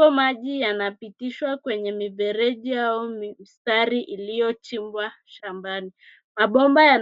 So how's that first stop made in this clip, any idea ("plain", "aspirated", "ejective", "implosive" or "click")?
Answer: implosive